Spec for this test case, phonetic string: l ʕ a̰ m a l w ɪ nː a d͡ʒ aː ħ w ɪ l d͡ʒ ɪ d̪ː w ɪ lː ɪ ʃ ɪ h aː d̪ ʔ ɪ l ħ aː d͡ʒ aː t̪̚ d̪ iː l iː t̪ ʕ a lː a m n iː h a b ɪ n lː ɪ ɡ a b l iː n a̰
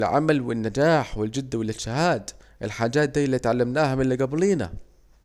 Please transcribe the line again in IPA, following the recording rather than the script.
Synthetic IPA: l ʕ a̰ m a l w ɪ nː a d͡ʒ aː ħ w ɪ l d͡ʒ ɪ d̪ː w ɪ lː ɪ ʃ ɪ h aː d̪ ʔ ɪ l ħ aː d͡ʒ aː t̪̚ d̪ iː l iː t̪ ʕ a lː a m n aː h a m ɪ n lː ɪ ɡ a b l iː n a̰